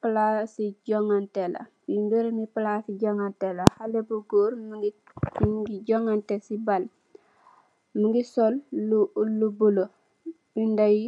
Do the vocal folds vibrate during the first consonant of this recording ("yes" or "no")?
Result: no